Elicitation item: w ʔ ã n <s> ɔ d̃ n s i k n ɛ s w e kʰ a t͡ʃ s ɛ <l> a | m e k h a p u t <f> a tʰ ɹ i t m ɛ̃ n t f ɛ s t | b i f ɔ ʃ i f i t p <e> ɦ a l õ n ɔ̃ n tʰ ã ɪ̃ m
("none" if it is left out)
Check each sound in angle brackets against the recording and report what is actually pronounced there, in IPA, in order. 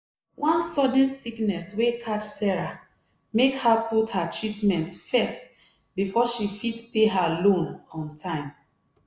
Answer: s, ɹ, h, e

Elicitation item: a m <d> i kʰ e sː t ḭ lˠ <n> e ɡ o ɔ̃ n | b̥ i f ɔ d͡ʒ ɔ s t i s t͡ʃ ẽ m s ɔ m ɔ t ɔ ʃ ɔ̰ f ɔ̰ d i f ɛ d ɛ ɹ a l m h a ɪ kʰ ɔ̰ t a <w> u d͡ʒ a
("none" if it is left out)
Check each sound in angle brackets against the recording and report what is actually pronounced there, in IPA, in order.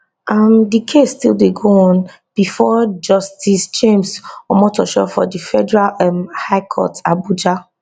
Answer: d, d, b

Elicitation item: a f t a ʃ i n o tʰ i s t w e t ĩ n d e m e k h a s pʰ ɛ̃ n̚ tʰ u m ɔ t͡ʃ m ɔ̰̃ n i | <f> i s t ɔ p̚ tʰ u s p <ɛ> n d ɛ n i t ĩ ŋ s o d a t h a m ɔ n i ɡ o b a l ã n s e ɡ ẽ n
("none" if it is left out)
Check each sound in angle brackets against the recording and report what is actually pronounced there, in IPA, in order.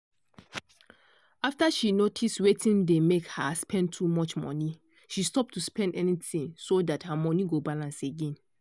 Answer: ʃ, ɛ̃

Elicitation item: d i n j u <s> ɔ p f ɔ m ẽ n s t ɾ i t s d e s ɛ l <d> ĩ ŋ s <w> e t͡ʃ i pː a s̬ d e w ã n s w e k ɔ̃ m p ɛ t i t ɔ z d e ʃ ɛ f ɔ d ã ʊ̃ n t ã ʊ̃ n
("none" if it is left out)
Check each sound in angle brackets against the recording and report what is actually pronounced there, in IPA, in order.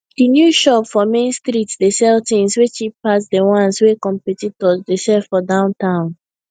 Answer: ʃ, t, w

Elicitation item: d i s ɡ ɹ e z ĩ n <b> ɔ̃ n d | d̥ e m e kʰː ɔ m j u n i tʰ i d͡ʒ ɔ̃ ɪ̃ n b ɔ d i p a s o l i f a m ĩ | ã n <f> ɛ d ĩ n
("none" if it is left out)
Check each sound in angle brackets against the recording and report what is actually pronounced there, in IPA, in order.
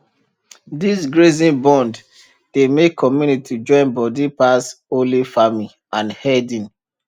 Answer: b, h

